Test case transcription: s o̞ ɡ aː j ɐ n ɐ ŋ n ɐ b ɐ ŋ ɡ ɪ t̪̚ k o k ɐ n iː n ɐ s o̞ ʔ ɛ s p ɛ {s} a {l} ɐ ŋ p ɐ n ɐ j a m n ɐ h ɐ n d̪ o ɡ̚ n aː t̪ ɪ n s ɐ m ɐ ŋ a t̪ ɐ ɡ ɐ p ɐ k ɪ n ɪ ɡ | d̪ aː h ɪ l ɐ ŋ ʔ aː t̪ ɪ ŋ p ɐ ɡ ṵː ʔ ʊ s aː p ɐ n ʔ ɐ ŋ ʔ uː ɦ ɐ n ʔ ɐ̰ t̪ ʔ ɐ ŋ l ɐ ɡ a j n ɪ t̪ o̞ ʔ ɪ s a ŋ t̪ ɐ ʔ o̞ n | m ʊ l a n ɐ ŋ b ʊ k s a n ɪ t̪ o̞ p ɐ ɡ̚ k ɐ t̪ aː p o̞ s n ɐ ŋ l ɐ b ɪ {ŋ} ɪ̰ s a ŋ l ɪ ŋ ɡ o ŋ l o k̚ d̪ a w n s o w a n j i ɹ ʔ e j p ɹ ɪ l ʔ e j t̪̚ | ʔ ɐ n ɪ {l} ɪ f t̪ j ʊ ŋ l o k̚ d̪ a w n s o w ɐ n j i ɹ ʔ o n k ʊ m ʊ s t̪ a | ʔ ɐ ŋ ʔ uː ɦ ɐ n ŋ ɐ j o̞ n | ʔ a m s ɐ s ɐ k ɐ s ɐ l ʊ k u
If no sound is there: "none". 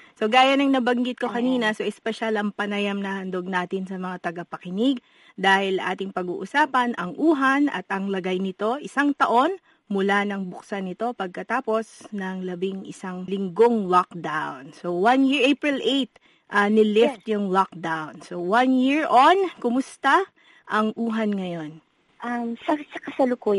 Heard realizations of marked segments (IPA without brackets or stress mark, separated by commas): ʃ, l, ŋ, l